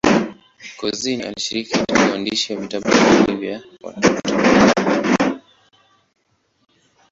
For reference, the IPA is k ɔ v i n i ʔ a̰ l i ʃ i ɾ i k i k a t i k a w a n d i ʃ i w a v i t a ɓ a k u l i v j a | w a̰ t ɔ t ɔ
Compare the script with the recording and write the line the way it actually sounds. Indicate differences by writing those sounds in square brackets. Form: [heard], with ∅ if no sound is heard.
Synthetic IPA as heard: k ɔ [z] i n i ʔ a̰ l i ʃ i ɾ i k i k a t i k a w a n d i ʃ i w a v i t a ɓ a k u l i v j a | w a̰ t ɔ t ɔ